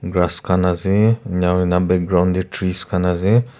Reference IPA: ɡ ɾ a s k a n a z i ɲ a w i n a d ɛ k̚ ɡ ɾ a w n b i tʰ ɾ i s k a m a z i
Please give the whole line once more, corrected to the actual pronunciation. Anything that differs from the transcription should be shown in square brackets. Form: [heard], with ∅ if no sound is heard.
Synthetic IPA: ɡ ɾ a s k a n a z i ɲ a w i n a [b] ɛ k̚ ɡ ɾ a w n [d] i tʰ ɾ i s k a [n] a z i

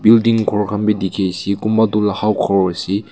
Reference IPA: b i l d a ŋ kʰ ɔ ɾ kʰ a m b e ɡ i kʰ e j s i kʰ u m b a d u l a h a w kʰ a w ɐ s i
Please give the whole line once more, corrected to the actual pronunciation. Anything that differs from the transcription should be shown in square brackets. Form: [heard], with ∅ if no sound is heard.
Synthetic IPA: b i l d [i] ŋ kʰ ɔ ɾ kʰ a m b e [d] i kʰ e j s i [k] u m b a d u l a h a w kʰ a w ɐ s i

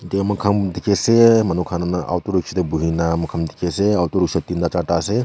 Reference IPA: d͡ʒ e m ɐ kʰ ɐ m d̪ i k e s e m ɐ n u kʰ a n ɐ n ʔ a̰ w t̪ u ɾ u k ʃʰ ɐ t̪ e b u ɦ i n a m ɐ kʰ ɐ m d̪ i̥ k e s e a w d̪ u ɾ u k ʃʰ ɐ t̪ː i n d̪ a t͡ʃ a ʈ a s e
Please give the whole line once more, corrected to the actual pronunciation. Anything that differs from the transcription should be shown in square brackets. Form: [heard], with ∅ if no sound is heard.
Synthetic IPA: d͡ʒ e m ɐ kʰ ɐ m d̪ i k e s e m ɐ n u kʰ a n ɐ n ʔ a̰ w t̪ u ɾ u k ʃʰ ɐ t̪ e b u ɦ i n a m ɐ kʰ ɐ m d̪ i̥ k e s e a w [t̪] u ɾ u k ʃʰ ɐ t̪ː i n d̪ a t͡ʃ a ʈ a s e

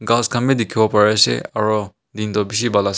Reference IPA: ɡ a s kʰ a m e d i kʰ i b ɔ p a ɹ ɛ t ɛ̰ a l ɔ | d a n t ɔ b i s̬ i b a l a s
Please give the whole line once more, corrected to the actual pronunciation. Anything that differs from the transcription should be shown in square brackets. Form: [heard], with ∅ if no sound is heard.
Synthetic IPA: ɡ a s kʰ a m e d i kʰ i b ɔ p a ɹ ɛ [s] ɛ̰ a [ɹ] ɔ | d [i] n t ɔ b i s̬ i b a l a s

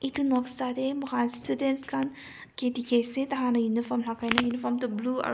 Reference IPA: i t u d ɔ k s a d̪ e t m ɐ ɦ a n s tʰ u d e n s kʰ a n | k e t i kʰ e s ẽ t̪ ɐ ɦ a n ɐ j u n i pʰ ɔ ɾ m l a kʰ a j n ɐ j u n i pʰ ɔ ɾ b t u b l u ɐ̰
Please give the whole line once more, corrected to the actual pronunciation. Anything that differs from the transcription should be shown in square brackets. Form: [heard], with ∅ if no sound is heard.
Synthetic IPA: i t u [n] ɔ k s a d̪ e [∅] m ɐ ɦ a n s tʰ u d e n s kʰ a n | k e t i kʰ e s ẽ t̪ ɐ ɦ a n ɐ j u n i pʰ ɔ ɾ m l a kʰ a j n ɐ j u n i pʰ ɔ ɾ [m] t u b l u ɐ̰

